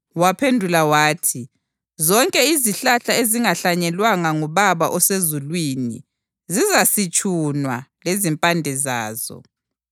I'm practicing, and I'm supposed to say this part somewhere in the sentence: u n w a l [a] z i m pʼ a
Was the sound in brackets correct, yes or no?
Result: no